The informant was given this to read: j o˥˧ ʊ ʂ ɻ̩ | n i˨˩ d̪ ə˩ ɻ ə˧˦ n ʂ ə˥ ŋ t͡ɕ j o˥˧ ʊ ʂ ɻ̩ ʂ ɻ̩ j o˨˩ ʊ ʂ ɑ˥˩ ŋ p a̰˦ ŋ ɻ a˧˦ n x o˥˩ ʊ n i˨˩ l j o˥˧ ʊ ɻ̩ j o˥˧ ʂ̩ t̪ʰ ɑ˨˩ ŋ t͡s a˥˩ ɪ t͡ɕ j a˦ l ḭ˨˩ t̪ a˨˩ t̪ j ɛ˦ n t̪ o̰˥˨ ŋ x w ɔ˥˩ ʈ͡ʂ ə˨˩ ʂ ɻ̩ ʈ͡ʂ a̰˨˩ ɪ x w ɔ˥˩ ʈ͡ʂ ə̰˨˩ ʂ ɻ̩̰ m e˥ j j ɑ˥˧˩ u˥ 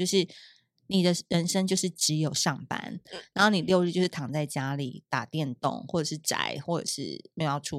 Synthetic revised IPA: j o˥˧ ʊ ʂ ɻ̩ | n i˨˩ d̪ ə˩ ɻ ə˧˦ n ʂ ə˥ ŋ t͡ɕ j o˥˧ ʊ ʂ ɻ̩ ʈ͡ʂ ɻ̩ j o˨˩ ʊ ʂ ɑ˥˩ ŋ p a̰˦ n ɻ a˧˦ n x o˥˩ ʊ n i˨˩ l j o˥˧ ʊ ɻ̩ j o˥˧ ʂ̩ t̪ʰ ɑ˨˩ ŋ t͡s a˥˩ ɪ t͡ɕ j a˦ l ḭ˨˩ t̪ a˨˩ t̪ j ɛ˥˨ n t̪ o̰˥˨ ŋ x w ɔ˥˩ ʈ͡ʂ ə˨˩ ʂ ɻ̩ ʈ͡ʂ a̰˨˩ ɪ x w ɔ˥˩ ʈ͡ʂ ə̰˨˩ ʂ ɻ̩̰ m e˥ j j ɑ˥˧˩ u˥